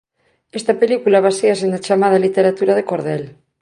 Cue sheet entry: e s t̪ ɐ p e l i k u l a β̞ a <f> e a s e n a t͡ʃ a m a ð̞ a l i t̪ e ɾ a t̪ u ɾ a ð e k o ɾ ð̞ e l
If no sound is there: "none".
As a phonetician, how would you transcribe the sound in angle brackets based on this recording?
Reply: s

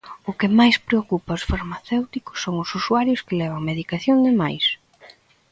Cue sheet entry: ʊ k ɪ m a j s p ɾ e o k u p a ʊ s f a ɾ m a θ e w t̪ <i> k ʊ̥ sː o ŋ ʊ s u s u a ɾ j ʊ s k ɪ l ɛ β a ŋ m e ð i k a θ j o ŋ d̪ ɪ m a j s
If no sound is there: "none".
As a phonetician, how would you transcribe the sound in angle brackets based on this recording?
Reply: i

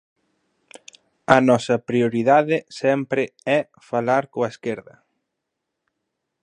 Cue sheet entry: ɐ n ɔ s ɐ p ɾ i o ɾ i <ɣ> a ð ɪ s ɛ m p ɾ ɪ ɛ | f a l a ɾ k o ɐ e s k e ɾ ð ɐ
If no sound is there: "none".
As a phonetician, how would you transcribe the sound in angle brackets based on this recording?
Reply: ð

